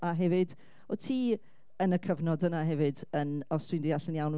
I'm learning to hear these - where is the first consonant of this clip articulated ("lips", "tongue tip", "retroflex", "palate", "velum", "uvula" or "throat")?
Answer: throat